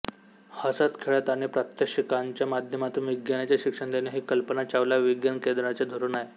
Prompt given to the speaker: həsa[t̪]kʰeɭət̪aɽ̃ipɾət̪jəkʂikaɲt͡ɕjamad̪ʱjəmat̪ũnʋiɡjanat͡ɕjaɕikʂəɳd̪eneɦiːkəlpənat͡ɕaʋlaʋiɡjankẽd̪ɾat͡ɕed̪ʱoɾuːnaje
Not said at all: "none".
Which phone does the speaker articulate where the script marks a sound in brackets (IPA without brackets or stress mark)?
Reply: t̪